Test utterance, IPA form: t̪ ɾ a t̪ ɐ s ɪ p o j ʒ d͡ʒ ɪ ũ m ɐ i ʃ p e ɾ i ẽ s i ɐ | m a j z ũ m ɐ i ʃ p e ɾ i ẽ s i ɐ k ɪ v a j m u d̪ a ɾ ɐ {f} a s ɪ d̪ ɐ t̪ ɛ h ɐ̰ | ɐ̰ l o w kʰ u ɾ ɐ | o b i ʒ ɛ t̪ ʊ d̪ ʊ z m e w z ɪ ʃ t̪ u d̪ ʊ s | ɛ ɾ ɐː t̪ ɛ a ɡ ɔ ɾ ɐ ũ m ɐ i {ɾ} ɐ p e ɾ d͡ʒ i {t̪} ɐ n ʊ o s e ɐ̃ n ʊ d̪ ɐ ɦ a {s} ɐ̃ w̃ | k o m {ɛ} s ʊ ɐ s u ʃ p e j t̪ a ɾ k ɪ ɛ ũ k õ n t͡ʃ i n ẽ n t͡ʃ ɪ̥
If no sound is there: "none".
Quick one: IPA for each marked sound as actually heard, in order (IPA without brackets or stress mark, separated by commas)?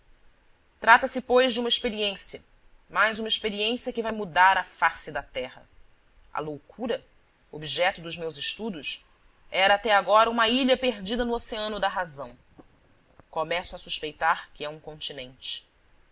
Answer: f, ʎ, d̪, z, ɛ